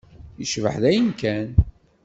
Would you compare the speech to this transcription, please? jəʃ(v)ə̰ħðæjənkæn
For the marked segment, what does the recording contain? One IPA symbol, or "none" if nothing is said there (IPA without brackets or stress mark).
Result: v